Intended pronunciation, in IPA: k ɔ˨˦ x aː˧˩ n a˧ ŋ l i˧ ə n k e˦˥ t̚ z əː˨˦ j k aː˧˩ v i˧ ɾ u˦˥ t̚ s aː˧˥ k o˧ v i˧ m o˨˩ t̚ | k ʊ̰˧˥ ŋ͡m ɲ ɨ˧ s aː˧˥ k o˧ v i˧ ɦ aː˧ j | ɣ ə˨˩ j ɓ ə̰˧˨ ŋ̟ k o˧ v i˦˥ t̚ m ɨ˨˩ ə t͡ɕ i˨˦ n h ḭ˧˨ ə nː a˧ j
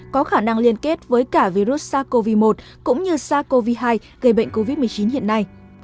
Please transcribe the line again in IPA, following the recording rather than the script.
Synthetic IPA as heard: k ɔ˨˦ x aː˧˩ n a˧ ŋ l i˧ ə n k e˦˥ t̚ v əː˨˦ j k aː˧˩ v i˧ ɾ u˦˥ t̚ s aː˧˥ k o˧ v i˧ m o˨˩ t̚ | k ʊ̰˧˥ ŋ͡m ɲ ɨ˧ s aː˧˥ k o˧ v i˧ ɦ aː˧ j | ɣ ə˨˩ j ɓ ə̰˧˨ ŋ̟ k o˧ v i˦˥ t̚ m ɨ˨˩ ə t͡ɕ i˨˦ n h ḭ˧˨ ə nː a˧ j